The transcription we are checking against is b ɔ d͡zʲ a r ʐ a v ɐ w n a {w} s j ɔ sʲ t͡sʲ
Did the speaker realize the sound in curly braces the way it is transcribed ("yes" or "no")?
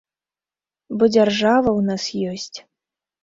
no